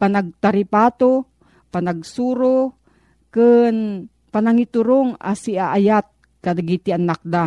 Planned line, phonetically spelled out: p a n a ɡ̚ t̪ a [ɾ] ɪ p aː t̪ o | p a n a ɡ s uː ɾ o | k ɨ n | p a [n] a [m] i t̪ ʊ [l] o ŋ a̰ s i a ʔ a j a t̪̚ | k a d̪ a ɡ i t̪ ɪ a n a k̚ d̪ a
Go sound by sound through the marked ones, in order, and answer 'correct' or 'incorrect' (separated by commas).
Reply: correct, correct, incorrect, incorrect